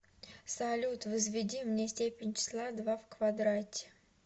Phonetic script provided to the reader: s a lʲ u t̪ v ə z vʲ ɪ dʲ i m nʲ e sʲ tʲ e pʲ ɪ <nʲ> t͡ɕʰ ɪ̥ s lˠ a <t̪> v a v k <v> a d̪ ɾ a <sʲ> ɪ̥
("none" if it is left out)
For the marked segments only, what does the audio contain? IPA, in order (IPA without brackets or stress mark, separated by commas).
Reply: nʲ, d̪, v, tʲ